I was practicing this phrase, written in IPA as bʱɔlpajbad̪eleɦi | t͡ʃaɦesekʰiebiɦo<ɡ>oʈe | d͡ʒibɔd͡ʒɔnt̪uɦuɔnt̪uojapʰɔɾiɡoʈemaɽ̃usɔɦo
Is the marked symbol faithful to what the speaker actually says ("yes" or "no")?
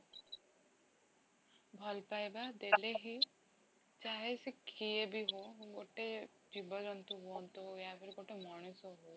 yes